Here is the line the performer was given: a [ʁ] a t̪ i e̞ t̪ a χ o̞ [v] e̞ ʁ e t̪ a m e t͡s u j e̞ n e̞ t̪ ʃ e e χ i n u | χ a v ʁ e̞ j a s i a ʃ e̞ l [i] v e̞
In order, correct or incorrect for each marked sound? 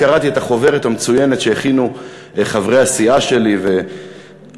correct, correct, correct

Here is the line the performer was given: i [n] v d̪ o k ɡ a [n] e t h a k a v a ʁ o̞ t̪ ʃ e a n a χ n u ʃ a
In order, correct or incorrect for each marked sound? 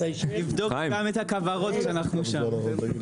incorrect: none, incorrect: m

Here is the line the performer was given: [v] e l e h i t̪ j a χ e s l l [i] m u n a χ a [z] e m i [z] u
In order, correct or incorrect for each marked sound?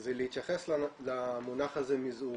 incorrect: z, incorrect: a, correct, correct

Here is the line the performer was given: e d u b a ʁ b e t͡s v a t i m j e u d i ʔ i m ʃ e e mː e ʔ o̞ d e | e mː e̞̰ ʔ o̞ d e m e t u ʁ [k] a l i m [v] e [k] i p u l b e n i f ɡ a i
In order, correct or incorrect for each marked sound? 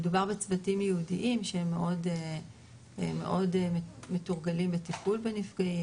incorrect: ɡ, incorrect: b, incorrect: t

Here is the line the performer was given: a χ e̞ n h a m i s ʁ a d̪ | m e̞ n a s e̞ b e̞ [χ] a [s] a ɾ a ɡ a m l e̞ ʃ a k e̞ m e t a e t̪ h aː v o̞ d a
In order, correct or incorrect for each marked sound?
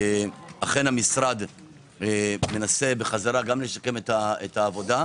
correct, incorrect: z

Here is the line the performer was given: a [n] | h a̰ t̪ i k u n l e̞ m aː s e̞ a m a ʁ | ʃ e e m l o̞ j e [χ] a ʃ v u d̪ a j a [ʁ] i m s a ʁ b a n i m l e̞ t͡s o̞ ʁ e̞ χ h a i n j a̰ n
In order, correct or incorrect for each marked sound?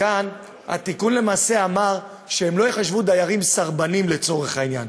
correct, correct, correct

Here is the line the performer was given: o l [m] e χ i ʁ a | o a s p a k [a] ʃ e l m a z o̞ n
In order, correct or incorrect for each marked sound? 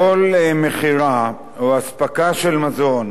correct, correct

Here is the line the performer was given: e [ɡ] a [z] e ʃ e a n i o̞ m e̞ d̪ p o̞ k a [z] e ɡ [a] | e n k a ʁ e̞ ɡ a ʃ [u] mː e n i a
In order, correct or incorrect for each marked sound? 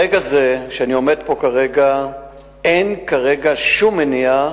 correct, correct, incorrect: ʁ, correct, correct

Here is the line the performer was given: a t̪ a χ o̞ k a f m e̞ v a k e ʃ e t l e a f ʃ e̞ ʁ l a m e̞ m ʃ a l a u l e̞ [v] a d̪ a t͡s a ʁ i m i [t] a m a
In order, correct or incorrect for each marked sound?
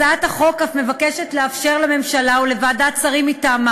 correct, correct

